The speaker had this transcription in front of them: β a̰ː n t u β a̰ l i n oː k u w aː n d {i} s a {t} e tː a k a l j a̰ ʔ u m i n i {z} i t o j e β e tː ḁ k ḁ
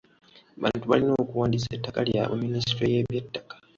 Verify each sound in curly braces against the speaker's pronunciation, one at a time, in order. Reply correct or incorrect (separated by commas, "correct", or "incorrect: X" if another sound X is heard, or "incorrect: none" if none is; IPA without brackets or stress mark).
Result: correct, incorrect: none, incorrect: s